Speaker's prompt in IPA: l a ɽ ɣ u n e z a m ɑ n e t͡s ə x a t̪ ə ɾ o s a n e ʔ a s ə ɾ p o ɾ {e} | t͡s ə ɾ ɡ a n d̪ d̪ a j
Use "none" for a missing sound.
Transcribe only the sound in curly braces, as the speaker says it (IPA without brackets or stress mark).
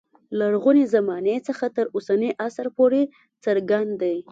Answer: e